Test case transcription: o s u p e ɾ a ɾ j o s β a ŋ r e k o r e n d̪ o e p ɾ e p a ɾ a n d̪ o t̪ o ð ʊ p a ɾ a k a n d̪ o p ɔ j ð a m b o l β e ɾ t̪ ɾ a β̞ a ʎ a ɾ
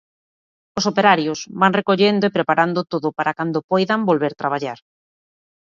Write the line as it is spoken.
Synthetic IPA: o s o p e ɾ a ɾ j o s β a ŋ r e k o ʎ e n d̪ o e p ɾ e p a ɾ a n d̪ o t̪ o ð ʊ p a ɾ a k a n d̪ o p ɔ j ð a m b o l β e ɾ t̪ ɾ a β̞ a ʎ a ɾ